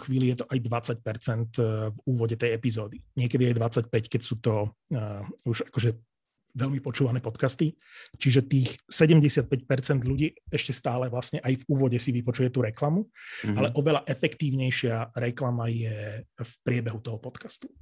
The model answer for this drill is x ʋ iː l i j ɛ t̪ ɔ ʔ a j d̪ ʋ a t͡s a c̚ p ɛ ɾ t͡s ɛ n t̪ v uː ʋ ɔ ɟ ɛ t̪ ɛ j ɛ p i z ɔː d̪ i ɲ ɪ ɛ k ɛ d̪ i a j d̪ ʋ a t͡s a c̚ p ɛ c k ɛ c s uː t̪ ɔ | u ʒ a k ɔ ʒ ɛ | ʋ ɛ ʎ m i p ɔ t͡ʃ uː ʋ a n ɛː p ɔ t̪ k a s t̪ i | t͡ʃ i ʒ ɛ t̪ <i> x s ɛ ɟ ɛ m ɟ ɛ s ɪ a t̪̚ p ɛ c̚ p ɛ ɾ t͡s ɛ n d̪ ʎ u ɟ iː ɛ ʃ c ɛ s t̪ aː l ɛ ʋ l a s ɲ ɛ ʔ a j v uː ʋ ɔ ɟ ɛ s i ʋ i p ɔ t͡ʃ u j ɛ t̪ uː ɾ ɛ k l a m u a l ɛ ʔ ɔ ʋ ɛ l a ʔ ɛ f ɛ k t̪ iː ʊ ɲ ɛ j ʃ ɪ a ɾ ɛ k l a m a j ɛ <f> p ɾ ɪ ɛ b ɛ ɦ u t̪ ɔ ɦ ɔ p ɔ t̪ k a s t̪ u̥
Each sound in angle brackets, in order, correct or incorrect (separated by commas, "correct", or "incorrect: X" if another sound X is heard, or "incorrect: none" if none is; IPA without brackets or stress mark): incorrect: iː, correct